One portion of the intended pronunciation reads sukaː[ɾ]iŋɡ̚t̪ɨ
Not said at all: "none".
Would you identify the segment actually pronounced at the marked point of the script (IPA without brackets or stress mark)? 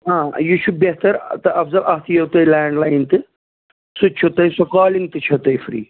l